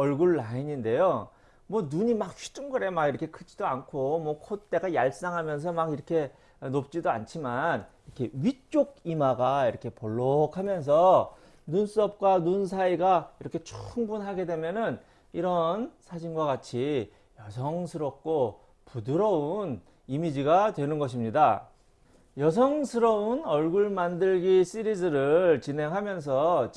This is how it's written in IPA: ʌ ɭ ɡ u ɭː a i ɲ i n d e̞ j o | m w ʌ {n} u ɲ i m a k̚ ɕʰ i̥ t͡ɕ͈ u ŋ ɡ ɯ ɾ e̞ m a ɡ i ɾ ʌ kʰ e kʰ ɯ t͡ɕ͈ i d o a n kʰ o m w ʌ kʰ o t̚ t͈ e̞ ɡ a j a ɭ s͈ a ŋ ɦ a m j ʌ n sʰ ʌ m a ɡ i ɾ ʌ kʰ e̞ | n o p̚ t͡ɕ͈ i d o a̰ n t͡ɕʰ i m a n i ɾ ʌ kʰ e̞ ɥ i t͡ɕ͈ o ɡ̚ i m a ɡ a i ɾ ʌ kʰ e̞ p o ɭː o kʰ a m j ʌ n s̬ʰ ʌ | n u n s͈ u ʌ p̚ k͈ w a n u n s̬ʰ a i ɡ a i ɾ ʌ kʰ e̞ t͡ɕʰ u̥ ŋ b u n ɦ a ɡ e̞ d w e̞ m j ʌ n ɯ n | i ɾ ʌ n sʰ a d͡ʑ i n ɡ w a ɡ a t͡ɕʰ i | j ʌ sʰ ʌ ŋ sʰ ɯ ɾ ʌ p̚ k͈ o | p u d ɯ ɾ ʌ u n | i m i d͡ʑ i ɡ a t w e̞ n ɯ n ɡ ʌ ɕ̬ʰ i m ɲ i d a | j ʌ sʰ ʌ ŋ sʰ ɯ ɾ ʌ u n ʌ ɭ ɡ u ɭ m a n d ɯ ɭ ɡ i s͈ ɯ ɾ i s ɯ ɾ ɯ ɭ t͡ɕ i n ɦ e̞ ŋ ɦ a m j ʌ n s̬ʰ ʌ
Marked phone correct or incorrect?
correct